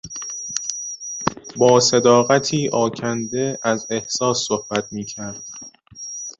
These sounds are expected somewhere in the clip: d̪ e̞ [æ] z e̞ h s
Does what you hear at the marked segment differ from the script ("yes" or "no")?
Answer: no